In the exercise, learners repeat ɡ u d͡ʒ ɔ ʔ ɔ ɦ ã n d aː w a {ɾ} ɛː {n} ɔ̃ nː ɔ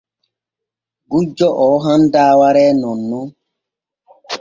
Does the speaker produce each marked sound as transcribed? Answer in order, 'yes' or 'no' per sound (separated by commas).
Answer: yes, yes